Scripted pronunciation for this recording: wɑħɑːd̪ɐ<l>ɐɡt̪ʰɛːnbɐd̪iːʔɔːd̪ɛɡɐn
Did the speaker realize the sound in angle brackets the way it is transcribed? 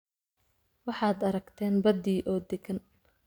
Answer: no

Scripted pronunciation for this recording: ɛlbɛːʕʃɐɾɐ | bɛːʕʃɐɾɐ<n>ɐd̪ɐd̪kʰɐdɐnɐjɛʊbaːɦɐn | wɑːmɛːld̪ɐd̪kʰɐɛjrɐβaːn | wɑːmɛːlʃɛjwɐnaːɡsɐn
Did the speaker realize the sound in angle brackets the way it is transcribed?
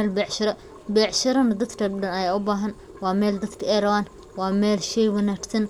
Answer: yes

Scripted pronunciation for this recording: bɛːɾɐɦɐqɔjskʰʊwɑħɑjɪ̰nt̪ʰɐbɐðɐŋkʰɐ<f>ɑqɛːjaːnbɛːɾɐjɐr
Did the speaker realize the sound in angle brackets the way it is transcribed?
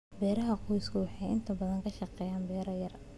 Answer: no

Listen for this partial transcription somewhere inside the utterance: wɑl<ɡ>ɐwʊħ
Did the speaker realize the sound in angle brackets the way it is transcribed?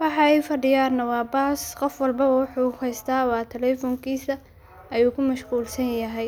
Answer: no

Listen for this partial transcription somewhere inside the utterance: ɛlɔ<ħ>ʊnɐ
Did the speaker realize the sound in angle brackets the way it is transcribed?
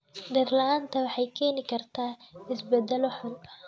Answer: yes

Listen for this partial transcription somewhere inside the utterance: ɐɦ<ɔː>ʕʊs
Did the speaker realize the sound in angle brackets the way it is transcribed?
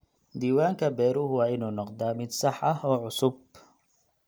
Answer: yes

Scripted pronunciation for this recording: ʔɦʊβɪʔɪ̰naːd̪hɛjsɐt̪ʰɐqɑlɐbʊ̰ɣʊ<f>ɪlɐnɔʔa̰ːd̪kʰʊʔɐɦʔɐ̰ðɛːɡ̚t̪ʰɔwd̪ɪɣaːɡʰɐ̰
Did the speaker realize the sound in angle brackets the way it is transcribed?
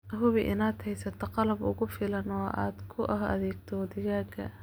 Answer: yes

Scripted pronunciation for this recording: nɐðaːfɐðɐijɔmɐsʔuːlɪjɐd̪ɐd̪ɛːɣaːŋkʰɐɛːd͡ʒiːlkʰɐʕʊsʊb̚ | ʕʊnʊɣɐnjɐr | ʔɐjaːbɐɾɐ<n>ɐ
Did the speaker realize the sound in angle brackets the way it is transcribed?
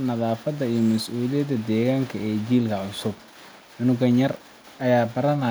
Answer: yes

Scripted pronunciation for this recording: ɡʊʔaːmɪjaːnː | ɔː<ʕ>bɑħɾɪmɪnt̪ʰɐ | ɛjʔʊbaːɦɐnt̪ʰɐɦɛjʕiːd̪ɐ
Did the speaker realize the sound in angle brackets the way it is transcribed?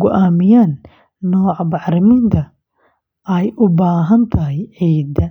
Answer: yes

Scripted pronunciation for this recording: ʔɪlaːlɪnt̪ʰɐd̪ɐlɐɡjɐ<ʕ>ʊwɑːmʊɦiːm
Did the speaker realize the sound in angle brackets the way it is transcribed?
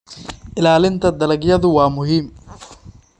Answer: no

